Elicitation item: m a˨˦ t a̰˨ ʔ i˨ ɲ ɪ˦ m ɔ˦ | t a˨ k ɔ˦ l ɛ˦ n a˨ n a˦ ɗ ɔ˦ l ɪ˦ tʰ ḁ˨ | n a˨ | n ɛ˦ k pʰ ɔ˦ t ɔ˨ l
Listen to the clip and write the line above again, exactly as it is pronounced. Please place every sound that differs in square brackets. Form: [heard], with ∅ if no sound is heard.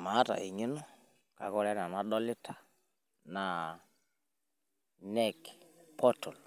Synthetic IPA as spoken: m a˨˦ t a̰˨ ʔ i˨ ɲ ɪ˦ [n] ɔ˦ | [k] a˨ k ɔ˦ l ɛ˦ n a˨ n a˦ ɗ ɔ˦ l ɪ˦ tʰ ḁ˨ | n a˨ | n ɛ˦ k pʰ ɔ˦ t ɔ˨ l

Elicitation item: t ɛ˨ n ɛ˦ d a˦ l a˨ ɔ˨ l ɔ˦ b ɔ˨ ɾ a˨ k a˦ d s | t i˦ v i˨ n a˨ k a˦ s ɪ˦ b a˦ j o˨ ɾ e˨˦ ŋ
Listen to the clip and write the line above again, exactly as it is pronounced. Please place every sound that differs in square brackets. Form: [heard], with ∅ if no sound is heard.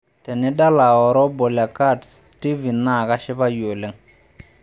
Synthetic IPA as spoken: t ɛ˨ n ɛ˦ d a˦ l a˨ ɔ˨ [ɾ] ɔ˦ b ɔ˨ [l] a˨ k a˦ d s | t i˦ v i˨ n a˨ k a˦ [ʃ] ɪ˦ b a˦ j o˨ [l] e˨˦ ŋ

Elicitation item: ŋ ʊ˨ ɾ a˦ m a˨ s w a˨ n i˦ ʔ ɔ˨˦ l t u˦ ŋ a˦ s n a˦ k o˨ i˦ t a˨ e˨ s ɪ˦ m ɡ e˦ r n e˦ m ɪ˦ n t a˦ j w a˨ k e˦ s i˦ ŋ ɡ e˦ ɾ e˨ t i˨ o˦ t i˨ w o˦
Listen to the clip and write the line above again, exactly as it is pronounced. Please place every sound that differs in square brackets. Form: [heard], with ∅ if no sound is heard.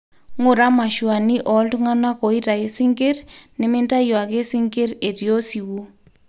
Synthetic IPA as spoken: ŋ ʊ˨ ɾ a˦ m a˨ [ʃ] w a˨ n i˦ ʔ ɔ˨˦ l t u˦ ŋ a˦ [∅] n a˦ k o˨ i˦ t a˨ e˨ s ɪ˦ [ŋ] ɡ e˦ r n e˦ m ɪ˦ n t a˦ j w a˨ k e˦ s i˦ ŋ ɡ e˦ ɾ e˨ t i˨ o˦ [s] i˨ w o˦

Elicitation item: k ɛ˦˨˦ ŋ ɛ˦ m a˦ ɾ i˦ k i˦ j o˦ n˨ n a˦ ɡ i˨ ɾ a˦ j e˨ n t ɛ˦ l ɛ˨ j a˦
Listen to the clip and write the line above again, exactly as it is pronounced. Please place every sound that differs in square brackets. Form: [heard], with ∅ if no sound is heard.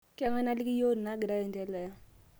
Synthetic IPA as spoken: k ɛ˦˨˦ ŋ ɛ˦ [n] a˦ [l] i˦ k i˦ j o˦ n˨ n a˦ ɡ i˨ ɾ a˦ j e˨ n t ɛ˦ l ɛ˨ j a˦

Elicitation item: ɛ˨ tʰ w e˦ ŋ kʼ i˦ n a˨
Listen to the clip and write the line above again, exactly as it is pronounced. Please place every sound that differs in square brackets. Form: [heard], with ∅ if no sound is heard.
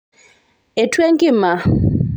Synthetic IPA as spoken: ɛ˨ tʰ w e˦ ŋ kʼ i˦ [m] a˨

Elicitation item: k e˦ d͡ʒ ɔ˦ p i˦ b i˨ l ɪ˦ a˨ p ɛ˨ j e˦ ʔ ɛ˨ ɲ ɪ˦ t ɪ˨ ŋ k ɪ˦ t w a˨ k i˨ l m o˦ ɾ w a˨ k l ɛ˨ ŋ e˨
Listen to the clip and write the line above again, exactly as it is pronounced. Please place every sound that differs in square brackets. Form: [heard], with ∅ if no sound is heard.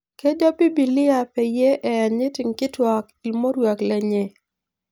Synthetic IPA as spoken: k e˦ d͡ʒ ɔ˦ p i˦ b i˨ l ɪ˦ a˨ p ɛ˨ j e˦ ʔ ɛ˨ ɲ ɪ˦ t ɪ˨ ŋ k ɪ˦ t w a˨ k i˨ l m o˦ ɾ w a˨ k l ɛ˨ [ɲ] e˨

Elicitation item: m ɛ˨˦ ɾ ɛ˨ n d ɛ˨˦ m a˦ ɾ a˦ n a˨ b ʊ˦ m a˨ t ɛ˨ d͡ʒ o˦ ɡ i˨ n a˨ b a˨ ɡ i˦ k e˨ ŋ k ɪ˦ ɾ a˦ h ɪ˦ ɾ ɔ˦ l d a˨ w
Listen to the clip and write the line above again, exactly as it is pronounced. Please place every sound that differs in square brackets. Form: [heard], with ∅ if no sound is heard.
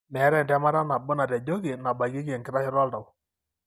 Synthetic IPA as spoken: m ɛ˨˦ ɾ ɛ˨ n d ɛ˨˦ m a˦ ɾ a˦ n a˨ b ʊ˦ [n] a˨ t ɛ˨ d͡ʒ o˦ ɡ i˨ n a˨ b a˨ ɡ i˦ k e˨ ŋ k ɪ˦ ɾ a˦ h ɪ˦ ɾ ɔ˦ l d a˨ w

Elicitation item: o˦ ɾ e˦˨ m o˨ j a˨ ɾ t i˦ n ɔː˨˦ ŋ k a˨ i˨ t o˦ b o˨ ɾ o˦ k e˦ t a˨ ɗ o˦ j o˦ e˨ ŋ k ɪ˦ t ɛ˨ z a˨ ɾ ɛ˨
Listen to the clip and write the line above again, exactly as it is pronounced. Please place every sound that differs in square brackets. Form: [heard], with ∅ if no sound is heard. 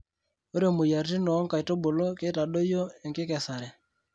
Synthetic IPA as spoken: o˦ ɾ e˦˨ m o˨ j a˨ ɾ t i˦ n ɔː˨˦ ŋ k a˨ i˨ t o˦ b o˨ [l] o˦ k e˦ t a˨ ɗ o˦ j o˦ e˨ ŋ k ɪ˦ [k] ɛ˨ [s] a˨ ɾ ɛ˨

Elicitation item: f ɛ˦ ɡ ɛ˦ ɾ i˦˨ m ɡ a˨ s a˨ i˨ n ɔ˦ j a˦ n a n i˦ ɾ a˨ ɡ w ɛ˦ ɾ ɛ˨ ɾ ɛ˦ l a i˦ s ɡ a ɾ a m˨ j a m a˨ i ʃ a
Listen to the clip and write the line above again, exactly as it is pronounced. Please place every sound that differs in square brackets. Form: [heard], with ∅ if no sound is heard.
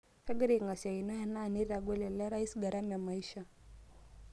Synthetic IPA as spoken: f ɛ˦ ɡ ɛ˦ ɾ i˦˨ [ŋ] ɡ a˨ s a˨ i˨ n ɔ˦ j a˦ n a n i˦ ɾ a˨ ɡ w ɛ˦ [l] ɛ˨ [l] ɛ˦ [ɾ] a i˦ s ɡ a ɾ a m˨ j a m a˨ i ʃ a

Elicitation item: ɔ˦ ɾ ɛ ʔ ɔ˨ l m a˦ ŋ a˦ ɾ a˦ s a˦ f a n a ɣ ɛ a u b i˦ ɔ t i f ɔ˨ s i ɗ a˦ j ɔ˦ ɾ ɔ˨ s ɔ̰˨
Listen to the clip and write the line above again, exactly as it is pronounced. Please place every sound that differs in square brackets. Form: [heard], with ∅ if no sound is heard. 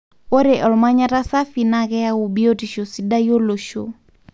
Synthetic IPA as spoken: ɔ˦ ɾ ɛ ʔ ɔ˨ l m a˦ [ɲ] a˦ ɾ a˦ s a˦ f [i] n a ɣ ɛ a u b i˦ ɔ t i [ʃ] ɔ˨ s i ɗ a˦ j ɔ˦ [l] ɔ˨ [ʃ] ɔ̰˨

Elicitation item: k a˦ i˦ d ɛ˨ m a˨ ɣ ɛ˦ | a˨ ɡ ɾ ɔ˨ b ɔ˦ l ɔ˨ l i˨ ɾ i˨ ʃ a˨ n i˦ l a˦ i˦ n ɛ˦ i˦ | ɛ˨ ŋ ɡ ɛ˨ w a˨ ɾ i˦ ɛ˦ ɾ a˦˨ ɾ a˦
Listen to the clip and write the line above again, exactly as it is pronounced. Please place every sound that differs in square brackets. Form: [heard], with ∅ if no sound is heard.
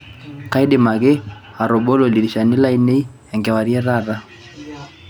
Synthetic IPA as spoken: k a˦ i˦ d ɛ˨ m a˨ ɣ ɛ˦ | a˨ [∅] ɾ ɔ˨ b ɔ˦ l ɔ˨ l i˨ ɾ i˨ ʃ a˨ n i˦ l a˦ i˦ n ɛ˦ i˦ | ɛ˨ ŋ ɡ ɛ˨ w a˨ ɾ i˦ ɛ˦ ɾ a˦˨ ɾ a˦

